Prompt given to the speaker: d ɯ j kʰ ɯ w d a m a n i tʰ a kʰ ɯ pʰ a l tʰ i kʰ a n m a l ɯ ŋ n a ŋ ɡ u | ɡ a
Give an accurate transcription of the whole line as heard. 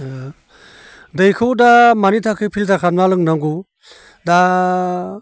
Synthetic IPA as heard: d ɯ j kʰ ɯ w d a m a n i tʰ a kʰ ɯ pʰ i l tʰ a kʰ a n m a l ɯ ŋ n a ŋ ɡ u | d a